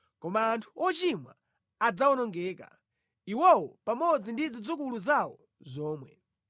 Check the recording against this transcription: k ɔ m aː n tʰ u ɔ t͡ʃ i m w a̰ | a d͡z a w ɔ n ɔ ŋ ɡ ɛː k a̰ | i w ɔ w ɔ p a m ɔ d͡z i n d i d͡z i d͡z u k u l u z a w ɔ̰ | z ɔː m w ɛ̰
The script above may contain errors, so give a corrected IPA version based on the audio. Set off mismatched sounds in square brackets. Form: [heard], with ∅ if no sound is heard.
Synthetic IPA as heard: k ɔ m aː n tʰ u ɔ t͡ʃ i m w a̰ | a d͡z a w ɔ n ɔ ŋ ɡ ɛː k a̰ | i w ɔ w ɔ p a m ɔ d͡z i n d i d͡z i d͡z u k u l u z a w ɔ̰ | z ɔː m w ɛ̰